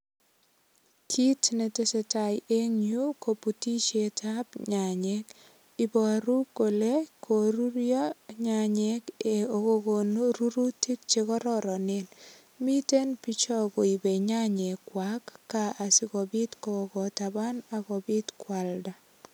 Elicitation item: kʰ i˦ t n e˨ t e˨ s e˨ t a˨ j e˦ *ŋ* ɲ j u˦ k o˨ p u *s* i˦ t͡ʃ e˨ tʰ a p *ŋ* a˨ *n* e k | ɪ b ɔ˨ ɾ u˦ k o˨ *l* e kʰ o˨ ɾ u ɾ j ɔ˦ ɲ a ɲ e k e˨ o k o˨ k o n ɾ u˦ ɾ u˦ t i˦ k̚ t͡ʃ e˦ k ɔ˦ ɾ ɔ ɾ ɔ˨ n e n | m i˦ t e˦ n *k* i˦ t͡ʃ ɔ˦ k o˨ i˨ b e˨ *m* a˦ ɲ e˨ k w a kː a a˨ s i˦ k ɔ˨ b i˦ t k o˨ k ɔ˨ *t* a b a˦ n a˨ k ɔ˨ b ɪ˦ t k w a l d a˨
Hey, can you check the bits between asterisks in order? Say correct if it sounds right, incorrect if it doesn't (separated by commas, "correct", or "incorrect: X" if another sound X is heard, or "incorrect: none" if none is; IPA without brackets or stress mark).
correct, incorrect: t, incorrect: ɲ, incorrect: ɲ, correct, incorrect: p, incorrect: ɲ, correct